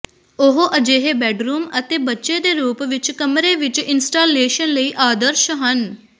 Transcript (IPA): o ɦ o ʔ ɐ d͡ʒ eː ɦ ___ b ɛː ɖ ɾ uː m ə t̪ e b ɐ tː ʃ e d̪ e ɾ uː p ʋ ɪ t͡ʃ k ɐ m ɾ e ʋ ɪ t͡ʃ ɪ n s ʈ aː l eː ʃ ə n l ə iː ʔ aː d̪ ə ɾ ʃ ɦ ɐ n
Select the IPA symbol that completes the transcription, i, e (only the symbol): e